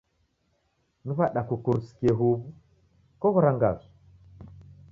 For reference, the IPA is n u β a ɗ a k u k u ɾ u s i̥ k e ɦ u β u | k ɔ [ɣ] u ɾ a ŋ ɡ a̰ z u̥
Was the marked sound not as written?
no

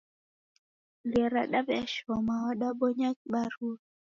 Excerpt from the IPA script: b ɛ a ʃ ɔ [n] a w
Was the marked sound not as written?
yes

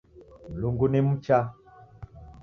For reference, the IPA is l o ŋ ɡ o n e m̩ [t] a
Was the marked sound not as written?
yes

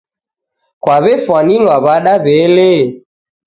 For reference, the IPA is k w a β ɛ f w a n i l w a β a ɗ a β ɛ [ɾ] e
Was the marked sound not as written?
yes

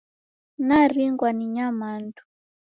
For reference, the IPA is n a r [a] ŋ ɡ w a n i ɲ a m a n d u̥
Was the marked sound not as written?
yes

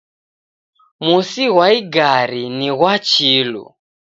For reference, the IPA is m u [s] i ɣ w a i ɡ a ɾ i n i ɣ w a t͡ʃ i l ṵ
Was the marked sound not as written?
no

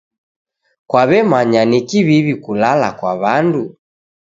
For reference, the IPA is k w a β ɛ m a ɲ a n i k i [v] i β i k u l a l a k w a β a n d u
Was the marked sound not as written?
yes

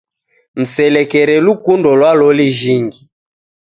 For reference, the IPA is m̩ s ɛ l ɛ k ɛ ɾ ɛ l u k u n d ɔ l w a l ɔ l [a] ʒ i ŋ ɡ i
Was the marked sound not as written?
yes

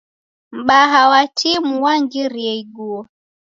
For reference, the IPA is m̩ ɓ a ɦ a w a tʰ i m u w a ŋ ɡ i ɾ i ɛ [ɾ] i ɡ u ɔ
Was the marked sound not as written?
yes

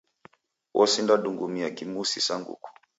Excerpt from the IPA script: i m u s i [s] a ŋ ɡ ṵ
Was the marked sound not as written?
no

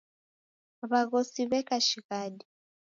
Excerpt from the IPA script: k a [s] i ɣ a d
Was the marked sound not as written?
yes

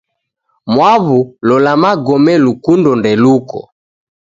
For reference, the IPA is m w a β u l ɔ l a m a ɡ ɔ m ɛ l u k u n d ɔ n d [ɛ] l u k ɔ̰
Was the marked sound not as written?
no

